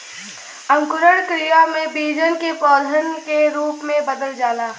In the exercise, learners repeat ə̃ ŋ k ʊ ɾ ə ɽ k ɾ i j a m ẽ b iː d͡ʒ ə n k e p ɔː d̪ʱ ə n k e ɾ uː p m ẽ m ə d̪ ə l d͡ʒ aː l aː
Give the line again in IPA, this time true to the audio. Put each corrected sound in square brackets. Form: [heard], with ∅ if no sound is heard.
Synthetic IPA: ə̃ ŋ k ʊ ɾ ə ɽ k ɾ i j a m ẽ b iː d͡ʒ ə n k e p ɔː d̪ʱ ə n k e ɾ uː p m ẽ [b] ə d̪ ə l d͡ʒ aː l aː